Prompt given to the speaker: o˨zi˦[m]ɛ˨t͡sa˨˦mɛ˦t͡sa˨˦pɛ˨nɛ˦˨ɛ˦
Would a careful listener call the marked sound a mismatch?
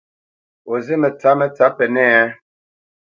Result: no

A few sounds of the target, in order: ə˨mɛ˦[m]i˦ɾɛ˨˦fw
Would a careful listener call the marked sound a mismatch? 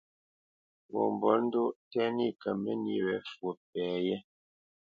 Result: yes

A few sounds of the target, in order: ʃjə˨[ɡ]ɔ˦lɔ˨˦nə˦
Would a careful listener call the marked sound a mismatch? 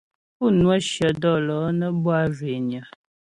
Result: yes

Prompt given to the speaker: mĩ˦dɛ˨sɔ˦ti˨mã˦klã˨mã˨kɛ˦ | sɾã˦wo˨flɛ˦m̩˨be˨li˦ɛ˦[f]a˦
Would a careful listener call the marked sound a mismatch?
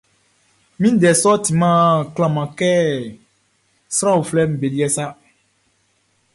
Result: yes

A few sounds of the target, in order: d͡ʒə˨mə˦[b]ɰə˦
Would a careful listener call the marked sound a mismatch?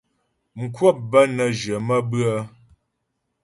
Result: no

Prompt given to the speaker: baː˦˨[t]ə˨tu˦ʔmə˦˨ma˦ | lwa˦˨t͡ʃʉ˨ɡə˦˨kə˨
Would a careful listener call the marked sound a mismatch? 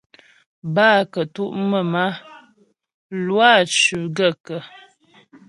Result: yes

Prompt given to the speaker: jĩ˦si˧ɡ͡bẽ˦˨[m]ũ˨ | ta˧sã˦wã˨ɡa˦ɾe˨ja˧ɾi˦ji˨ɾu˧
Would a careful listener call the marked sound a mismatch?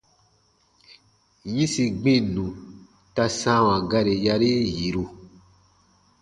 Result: yes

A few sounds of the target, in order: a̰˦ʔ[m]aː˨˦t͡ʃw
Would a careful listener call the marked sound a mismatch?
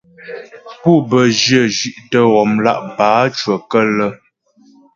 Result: yes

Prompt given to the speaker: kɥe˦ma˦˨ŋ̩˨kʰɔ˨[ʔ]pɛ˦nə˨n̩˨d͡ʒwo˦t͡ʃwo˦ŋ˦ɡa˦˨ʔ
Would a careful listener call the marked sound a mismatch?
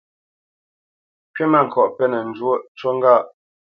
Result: no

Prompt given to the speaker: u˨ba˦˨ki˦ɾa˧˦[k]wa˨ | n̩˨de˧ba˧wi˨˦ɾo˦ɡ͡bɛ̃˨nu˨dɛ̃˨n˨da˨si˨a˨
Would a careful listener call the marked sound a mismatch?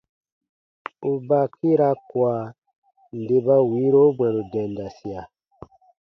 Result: no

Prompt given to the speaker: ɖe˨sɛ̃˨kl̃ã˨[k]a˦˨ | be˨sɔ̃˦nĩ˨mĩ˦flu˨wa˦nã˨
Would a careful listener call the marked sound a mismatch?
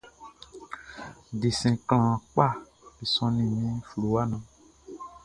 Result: yes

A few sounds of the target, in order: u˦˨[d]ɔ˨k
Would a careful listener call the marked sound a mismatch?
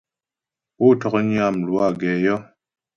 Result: yes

